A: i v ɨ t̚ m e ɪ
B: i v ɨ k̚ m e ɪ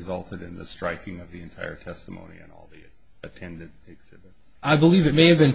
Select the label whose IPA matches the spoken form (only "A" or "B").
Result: A